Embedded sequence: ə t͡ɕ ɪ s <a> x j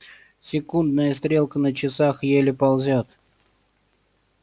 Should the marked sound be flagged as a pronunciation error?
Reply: no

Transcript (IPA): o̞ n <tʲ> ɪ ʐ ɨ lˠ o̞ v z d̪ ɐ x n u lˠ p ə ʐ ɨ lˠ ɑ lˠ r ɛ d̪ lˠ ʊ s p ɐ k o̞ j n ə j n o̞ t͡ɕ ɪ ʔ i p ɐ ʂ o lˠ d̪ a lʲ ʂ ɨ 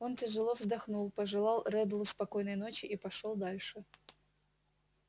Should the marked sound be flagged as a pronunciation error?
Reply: no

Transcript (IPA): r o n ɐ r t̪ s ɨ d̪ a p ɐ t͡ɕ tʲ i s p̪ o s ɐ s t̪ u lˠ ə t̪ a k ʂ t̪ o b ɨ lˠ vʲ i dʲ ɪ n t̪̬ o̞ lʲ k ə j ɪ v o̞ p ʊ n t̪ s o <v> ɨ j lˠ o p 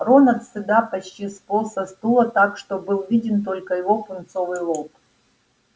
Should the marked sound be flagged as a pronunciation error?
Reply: no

